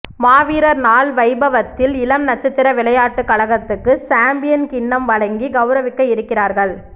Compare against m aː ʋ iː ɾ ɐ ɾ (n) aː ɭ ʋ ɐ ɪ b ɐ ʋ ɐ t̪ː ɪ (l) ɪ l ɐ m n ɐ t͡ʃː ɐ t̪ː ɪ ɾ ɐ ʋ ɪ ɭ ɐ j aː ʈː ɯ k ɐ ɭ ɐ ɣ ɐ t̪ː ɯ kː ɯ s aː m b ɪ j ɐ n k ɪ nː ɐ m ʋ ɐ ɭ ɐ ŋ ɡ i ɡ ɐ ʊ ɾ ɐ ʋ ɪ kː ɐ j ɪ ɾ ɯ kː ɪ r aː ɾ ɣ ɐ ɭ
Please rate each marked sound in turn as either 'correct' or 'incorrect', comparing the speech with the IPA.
correct, correct

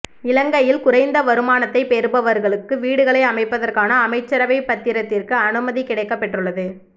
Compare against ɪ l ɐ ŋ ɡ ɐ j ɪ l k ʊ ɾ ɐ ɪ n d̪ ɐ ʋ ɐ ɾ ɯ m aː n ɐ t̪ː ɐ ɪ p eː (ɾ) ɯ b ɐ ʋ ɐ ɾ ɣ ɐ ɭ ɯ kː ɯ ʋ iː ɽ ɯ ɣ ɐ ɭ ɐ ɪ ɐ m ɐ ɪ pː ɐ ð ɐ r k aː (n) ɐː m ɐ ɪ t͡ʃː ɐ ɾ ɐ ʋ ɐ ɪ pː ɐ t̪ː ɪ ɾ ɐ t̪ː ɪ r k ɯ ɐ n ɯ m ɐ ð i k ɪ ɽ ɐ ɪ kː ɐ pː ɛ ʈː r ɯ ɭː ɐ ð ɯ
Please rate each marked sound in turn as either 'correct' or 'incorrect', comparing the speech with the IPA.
correct, correct

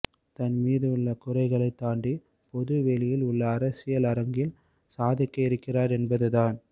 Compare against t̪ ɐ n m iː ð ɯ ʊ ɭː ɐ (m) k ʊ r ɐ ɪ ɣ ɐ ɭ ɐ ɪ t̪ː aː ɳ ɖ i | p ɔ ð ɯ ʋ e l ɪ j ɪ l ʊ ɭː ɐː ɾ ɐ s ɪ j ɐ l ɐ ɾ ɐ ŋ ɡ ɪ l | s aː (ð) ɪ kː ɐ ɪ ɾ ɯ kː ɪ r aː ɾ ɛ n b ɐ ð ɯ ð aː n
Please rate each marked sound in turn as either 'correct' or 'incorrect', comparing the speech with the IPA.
incorrect: none, correct

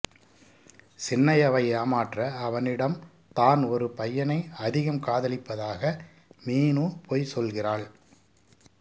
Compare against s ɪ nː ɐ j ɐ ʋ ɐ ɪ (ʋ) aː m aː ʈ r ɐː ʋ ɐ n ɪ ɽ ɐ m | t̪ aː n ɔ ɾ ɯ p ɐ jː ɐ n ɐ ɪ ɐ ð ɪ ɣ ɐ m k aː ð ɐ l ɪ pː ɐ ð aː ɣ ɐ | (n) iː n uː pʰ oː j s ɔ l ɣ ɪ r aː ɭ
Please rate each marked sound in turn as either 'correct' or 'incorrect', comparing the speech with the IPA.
incorrect: none, incorrect: m

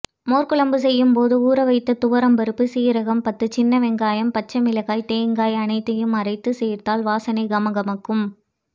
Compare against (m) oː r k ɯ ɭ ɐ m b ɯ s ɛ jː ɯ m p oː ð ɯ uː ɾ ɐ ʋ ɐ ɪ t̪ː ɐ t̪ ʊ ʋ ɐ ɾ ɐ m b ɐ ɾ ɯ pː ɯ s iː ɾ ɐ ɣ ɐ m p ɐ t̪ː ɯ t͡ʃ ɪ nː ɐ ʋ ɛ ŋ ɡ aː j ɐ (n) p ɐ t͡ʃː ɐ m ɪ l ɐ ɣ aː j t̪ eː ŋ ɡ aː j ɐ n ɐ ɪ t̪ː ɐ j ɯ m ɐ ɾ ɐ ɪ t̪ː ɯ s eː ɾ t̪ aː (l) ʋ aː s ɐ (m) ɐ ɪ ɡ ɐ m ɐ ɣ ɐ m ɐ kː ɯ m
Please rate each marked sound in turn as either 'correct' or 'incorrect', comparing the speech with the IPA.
correct, incorrect: m, correct, incorrect: n

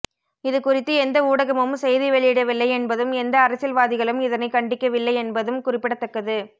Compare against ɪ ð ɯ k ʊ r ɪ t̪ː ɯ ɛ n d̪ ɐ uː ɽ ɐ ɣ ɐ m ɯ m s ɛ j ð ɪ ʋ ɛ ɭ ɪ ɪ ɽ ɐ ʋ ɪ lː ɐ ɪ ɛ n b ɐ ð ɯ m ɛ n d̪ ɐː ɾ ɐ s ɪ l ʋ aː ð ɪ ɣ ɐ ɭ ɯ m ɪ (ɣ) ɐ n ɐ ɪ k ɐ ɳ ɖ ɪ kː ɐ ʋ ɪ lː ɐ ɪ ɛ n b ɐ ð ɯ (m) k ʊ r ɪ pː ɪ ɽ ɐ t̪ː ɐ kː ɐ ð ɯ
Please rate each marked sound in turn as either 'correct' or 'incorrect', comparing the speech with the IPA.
incorrect: ð, correct

